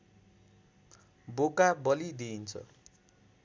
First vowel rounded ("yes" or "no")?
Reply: yes